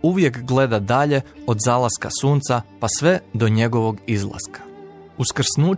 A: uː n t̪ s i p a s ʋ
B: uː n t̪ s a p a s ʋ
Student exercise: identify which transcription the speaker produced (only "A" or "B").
B